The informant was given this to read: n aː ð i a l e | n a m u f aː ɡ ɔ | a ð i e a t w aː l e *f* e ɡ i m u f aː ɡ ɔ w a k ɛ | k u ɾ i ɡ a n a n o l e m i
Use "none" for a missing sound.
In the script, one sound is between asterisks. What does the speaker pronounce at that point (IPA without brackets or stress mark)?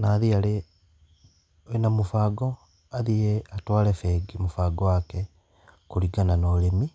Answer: f